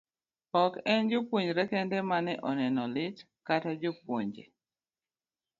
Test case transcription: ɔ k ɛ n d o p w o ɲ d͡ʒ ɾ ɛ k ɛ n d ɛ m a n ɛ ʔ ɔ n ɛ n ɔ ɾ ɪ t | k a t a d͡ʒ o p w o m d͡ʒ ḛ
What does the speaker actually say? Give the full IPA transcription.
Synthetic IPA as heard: ɔ k ɛ n d͡ʒ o p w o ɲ d͡ʒ ɾ ɛ k ɛ n d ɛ m a n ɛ ʔ ɔ n ɛ n ɔ l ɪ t | k a t a d͡ʒ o p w o ɲ d͡ʒ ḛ